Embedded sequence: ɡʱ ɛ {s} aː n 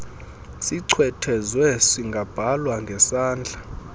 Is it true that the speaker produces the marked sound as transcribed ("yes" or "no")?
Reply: yes